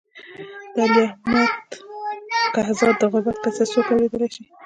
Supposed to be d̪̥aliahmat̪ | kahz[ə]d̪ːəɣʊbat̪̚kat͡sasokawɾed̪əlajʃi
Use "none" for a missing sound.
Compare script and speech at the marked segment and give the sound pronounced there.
ɑ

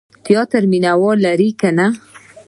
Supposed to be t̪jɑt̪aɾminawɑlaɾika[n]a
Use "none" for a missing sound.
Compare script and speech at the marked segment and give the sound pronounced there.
n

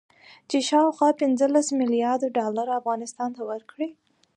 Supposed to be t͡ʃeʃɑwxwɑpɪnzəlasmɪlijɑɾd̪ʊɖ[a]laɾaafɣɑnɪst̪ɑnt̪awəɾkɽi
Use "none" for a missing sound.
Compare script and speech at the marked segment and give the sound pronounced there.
ɑ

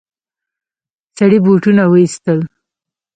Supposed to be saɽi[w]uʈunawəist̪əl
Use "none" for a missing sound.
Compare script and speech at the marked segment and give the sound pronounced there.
b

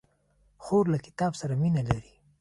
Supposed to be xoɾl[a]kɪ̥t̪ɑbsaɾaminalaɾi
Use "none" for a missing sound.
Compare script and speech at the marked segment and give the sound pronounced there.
a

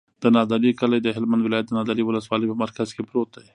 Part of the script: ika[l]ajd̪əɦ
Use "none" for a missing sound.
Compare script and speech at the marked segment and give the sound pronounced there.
l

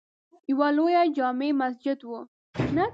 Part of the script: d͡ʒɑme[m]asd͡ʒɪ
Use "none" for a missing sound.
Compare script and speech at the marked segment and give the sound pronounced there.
m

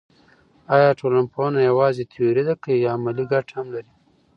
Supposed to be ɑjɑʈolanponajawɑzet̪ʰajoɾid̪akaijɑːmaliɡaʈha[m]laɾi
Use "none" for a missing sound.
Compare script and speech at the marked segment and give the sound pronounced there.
m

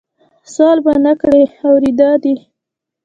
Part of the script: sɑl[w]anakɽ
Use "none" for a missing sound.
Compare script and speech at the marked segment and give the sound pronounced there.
b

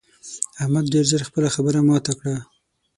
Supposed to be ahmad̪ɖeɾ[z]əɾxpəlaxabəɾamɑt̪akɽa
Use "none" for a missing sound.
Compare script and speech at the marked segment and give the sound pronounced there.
z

